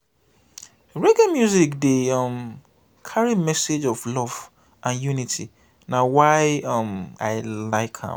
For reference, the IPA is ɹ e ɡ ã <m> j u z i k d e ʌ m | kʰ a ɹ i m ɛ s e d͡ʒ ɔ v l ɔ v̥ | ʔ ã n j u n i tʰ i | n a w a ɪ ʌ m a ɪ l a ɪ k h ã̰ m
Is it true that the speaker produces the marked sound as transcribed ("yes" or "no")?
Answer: yes